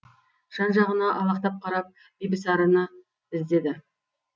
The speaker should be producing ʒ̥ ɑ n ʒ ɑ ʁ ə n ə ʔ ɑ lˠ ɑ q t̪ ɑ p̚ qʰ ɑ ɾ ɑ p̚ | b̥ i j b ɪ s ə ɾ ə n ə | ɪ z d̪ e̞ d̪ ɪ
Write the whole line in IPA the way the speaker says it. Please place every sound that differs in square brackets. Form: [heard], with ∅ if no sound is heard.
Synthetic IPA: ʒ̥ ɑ n ʒ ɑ ʁ ə n [ɑ] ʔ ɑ lˠ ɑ q t̪ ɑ p̚ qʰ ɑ ɾ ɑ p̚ | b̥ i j b ɪ s [ɑ] ɾ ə n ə | ɪ z d̪ e̞ d̪ ɪ